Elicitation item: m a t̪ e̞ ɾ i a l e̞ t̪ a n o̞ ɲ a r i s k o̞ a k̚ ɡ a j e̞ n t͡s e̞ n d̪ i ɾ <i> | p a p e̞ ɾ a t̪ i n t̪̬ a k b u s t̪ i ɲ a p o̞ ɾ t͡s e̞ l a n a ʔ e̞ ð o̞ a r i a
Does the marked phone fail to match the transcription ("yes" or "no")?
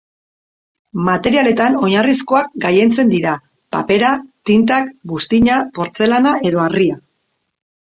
yes